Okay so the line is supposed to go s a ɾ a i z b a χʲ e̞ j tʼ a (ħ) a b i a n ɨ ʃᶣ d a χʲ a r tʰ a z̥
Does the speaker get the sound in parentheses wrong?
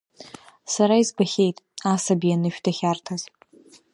yes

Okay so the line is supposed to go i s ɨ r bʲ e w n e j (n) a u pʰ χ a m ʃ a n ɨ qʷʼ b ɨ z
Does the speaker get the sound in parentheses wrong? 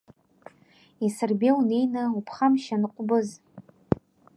no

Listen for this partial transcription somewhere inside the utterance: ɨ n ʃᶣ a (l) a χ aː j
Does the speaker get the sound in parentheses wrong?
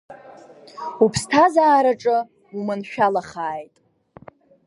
no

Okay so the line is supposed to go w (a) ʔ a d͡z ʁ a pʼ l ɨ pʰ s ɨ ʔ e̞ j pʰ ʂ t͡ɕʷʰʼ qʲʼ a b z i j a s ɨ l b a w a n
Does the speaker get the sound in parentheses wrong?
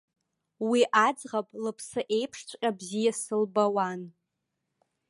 yes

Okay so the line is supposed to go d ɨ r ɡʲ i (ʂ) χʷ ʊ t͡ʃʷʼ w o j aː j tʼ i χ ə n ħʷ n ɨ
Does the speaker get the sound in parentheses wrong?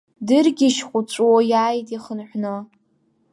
yes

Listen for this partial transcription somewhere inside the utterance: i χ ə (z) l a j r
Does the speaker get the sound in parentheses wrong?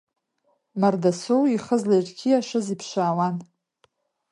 no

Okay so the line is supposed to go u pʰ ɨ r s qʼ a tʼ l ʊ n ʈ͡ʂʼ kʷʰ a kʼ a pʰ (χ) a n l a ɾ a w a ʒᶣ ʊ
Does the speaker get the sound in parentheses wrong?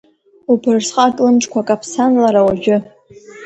yes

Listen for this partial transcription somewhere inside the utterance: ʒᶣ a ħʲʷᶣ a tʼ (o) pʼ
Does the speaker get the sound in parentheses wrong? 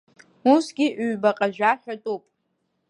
yes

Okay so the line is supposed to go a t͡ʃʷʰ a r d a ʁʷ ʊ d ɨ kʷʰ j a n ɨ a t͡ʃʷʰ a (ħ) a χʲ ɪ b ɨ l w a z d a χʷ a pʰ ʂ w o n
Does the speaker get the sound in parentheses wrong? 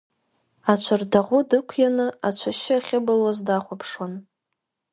yes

